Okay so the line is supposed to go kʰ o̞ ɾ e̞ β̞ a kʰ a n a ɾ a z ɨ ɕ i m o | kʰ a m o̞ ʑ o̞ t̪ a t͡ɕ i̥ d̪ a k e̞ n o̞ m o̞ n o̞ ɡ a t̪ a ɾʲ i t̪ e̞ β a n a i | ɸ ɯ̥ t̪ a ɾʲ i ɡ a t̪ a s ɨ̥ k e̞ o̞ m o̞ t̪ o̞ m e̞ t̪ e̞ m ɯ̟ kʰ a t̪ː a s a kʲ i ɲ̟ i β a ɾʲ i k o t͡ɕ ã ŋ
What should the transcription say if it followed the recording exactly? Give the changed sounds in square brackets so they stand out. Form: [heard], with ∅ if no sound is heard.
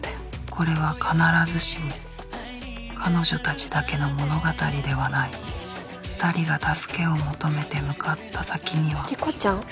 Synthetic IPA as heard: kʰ o̞ ɾ e̞ β̞ a kʰ a n a ɾ a z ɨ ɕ i m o | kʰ a [n] o̞ ʑ o̞ t̪ a t͡ɕ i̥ d̪ a k e̞ n o̞ m o̞ n o̞ ɡ a t̪ a ɾʲ i [d̪] e̞ β a n a i | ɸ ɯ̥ t̪ a ɾʲ i ɡ a t̪ a s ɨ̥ k e̞ o̞ m o̞ t̪ o̞ m e̞ t̪ e̞ m ɯ̟ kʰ a t̪ː a s a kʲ i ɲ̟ i β a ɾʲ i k o t͡ɕ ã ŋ